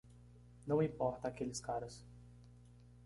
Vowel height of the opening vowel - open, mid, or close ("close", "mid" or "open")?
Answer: open